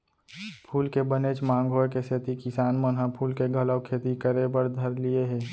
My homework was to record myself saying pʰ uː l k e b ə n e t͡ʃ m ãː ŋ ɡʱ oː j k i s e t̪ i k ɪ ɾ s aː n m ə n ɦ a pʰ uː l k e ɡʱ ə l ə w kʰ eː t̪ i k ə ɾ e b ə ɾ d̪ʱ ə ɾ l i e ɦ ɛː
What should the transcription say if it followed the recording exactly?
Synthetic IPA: pʰ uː l k e b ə n e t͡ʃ m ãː ŋ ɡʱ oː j k e s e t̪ i k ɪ s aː n m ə n ɦ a pʰ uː l k e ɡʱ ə l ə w kʰ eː t̪ i k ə ɾ e b ə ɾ d̪ʱ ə ɾ l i e ɦ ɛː